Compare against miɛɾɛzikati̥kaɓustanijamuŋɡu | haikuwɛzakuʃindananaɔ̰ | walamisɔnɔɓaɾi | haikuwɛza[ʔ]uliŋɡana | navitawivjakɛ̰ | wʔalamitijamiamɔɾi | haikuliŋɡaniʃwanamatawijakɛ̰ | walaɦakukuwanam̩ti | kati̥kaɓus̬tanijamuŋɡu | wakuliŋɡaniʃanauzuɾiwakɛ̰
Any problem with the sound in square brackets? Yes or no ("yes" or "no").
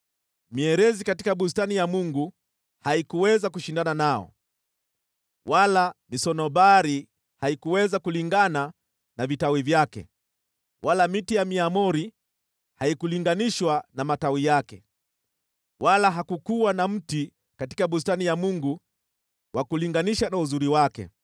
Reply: yes